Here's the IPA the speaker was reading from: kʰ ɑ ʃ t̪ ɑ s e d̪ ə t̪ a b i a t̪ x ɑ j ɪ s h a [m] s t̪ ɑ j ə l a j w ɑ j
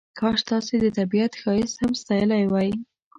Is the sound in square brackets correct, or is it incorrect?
correct